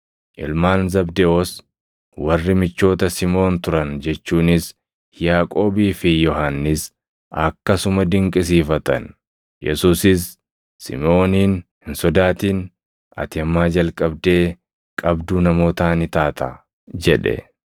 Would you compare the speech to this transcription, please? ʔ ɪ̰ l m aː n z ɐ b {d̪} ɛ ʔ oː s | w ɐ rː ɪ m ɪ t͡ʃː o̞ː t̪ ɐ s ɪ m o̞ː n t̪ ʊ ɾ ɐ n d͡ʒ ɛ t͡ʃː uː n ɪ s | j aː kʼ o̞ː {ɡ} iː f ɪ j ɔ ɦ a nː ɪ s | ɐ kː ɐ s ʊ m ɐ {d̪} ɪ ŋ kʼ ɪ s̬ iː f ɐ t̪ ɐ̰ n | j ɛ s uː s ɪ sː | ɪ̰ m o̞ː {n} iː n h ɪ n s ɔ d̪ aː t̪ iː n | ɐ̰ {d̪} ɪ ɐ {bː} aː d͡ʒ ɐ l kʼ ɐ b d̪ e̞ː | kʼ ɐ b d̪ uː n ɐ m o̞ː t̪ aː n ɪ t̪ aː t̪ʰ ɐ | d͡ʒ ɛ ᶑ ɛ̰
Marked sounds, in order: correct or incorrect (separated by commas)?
correct, incorrect, correct, correct, incorrect, incorrect